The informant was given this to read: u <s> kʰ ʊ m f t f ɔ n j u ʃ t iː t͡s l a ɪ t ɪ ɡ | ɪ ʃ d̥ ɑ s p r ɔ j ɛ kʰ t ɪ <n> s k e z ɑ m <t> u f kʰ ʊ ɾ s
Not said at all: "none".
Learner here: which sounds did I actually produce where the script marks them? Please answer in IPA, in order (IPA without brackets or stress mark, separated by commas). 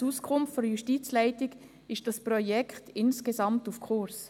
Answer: s, n, t